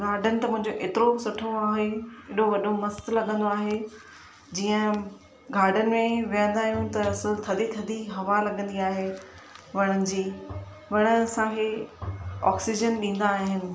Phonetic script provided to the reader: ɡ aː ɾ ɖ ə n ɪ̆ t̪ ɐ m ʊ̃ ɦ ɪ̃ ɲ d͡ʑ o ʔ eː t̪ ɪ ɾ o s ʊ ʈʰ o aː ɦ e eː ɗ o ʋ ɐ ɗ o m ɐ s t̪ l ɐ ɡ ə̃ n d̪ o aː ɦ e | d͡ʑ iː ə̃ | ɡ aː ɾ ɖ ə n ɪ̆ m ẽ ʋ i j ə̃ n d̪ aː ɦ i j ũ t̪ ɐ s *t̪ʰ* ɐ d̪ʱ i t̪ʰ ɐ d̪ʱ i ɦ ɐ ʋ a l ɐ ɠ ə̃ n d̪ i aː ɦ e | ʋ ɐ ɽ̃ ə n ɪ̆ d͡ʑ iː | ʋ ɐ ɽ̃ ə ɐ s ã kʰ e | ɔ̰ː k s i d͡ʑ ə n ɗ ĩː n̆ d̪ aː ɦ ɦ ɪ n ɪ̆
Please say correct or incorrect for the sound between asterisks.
correct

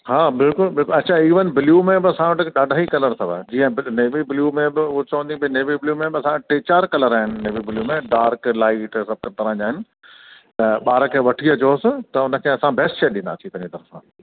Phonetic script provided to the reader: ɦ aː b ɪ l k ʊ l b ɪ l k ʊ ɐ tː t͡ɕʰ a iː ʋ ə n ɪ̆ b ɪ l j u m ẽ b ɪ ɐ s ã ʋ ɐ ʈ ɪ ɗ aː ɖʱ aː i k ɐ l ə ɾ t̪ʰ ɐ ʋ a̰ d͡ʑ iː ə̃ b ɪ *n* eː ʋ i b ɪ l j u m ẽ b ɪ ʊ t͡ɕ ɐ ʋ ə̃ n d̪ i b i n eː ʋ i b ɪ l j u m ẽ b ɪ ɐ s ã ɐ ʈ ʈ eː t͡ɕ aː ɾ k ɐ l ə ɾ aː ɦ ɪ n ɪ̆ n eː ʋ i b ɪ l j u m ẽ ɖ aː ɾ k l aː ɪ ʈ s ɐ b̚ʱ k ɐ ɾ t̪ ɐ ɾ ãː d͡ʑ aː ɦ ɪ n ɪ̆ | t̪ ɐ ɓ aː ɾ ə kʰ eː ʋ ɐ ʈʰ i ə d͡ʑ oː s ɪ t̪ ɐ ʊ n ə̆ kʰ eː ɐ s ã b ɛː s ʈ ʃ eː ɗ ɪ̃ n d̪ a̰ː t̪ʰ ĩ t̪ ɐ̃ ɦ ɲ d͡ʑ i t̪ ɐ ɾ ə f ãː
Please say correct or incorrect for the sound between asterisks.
correct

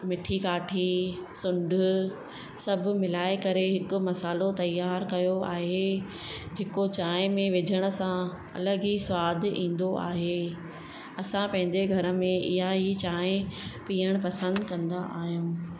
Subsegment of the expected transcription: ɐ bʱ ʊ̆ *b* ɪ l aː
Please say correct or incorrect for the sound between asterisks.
incorrect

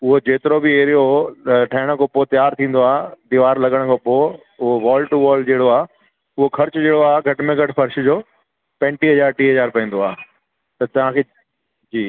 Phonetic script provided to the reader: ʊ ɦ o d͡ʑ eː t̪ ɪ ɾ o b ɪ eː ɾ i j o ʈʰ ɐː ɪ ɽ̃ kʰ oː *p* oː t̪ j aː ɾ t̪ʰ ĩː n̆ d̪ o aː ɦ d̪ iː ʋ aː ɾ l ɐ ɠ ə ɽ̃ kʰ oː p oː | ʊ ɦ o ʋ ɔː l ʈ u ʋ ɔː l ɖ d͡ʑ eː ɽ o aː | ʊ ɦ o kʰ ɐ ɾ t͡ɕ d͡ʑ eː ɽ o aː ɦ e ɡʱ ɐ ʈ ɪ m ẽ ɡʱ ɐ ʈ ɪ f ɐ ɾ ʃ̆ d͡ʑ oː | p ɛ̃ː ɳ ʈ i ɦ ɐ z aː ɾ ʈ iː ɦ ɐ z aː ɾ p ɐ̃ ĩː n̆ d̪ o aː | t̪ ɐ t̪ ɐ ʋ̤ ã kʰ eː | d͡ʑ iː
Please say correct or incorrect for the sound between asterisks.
correct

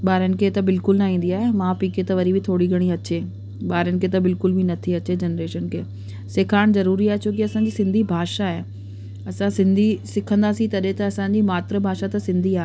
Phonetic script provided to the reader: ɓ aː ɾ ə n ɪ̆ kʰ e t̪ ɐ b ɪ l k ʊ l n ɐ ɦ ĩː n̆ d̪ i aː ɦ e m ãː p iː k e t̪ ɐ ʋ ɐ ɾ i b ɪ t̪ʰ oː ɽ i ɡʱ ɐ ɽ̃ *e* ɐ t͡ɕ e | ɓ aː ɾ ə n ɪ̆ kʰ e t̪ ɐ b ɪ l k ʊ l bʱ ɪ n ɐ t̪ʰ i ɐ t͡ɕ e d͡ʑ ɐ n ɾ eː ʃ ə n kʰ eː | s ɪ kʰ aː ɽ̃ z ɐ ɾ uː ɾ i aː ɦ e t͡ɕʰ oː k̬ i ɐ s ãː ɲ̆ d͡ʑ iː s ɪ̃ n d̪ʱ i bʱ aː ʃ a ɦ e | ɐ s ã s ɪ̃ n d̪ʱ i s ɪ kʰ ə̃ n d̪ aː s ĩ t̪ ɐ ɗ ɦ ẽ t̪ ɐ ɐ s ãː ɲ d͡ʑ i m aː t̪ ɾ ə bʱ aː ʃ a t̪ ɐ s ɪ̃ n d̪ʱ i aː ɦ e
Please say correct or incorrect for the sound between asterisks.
incorrect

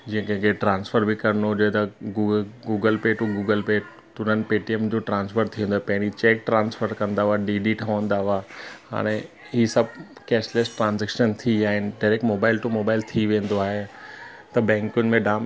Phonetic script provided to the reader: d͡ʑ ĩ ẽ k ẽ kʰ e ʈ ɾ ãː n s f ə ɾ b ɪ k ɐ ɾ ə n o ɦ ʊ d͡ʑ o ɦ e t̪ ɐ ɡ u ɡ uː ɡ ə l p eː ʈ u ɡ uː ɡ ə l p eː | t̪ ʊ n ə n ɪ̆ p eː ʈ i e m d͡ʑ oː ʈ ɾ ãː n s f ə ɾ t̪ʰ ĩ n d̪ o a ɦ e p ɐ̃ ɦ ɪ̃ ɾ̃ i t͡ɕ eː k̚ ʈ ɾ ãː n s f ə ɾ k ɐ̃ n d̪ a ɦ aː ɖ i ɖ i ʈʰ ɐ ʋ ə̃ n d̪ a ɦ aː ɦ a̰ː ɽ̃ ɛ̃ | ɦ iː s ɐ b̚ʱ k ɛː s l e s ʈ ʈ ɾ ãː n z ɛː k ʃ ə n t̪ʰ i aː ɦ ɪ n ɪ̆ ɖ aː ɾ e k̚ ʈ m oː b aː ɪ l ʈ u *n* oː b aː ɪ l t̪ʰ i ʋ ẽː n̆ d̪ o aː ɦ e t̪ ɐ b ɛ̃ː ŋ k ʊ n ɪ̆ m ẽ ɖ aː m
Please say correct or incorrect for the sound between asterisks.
incorrect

